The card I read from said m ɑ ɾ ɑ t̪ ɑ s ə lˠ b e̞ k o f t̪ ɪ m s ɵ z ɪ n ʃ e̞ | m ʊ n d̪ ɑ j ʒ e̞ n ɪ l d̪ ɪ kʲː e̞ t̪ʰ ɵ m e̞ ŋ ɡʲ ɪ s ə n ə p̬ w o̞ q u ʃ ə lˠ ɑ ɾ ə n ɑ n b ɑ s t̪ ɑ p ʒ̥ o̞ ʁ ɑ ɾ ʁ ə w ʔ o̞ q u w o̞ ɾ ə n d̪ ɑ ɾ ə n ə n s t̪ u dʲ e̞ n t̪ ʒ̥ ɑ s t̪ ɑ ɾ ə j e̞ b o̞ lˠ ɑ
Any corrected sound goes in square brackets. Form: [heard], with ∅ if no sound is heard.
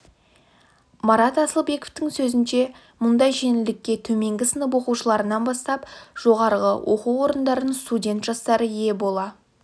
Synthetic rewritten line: m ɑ ɾ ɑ t̪ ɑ s ə lˠ b e̞ k o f t̪ ɪ [ŋ] s ɵ z ɪ n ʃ e̞ | m ʊ n d̪ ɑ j ʒ e̞ n ɪ l d̪ ɪ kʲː e̞ t̪ʰ ɵ m e̞ ŋ ɡʲ ɪ s ə n ə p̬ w o̞ q u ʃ ə lˠ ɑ ɾ ə n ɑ n b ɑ s t̪ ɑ p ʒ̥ o̞ ʁ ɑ ɾ ʁ ə w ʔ o̞ q u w o̞ ɾ ə n d̪ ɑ ɾ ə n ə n s t̪ u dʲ e̞ n t̪ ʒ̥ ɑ s t̪ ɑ ɾ ə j e̞ b o̞ lˠ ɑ